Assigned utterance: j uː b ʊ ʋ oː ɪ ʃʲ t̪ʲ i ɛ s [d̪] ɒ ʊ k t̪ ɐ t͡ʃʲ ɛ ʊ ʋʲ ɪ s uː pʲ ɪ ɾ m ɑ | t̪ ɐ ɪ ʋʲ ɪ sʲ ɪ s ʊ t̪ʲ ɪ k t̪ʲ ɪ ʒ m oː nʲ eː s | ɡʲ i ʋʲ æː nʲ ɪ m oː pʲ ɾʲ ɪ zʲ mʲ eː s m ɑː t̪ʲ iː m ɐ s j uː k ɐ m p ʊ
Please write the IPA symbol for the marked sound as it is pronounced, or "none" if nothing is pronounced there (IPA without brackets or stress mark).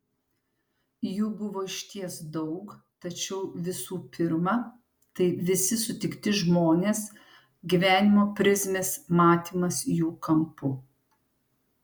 d̪